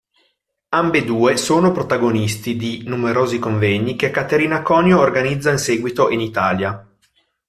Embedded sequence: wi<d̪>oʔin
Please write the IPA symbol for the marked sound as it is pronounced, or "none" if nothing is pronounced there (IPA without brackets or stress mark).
t̪